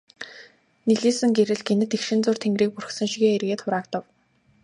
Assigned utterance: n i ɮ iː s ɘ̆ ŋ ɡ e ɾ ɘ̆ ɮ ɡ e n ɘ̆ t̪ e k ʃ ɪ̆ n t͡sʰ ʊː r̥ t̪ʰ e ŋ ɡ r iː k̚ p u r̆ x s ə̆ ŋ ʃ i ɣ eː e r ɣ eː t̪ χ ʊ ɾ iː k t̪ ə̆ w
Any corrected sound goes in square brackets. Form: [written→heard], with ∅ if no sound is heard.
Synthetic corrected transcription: n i ɮ iː s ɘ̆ ŋ ɡ e ɾ ɘ̆ ɮ ɡ e n ɘ̆ t̪ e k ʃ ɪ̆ n [t͡sʰ→t͡s] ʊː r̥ t̪ʰ e ŋ ɡ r iː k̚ p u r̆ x s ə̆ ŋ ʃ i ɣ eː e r ɣ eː t̪ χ ʊ ɾ [iː→aː] k t̪ ə̆ w

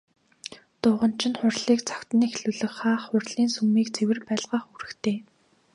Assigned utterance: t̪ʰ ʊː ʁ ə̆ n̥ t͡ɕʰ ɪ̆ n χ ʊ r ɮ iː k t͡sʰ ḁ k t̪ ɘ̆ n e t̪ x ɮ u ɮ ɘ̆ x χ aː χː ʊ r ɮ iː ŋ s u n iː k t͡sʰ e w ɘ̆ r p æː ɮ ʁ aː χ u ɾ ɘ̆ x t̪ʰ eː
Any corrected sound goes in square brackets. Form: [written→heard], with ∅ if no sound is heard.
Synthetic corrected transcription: [t̪ʰ→t̪] ʊː ʁ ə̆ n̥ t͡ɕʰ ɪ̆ n χ ʊ r ɮ iː k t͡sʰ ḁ k t̪ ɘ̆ n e [t̪→∅] x ɮ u ɮ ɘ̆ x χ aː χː ʊ r ɮ iː [ŋ→n] s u [n→m] iː k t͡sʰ e w ɘ̆ r p æː ɮ ʁ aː χ u ɾ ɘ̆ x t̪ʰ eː

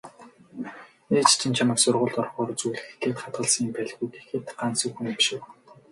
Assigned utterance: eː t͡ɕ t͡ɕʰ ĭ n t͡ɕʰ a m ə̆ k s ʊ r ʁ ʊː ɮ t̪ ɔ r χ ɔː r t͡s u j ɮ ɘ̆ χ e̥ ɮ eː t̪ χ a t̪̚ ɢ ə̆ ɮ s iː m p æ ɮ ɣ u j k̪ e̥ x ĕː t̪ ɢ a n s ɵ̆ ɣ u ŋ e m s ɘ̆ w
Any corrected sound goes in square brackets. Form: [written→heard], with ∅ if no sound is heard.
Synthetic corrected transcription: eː t͡ɕ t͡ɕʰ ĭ n t͡ɕʰ a m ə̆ k s ʊ r ʁ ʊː ɮ t̪ ɔ r χ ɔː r t͡s u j ɮ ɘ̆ [χ→x] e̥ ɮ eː t̪ χ a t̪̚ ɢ ə̆ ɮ s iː m p æ ɮ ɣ u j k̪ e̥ x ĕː t̪ ɢ a n s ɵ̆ [ɣ→x] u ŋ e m [s→ʃ] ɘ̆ w

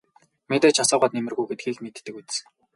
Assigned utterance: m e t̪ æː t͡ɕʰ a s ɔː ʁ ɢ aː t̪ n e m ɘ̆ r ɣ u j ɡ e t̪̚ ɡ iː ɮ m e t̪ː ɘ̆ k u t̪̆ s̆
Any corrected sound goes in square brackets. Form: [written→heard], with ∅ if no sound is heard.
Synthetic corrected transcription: m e t̪ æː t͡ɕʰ a s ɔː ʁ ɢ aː t̪ n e m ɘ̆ r ɣ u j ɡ e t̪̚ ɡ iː ɮ m e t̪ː ɘ̆ k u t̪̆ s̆

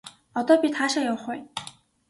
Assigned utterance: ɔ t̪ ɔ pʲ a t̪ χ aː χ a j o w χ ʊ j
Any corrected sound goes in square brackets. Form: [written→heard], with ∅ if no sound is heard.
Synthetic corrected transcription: ɔ t̪ ɔ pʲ [a→i] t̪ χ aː [χ→ʃ] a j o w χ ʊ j

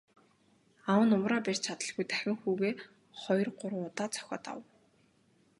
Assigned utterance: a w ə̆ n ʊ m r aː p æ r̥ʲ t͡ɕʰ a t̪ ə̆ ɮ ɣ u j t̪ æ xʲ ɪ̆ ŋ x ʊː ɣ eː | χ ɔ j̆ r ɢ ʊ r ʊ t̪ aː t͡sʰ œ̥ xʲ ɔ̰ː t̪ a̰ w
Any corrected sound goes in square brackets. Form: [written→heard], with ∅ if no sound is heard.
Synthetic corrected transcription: a w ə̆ n ʊ m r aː p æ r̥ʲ t͡ɕʰ a t̪ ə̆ ɮ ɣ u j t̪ æ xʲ ɪ̆ ŋ x [ʊː→uː] ɣ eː | χ ɔ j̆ r ɢ ʊ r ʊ t̪ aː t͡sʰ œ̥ xʲ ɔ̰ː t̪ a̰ w

